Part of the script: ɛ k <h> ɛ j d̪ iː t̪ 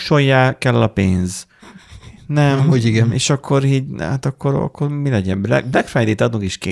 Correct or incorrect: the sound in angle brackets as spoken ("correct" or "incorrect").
incorrect